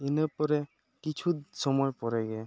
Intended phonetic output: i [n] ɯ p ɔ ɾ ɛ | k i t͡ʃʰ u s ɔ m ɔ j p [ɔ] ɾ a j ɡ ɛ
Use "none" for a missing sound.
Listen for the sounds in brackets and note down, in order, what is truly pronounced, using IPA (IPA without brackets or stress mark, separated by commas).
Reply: n, ɔ